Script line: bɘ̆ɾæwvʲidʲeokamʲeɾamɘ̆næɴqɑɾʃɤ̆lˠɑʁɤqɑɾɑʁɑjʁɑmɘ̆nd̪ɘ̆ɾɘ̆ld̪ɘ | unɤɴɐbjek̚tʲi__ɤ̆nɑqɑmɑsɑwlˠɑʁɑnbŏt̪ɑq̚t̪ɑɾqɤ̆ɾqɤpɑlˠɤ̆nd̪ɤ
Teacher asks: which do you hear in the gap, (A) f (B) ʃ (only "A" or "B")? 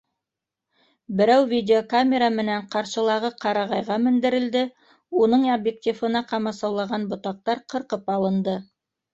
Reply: A